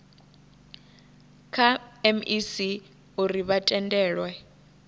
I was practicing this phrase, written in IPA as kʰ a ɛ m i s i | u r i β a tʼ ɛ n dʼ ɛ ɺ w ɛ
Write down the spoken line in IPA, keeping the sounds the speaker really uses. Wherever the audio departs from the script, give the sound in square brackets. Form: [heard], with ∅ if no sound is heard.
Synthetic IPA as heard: kʰ a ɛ m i s i | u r i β a tʼ ɛ n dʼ [ɛː] ɺ w ɛ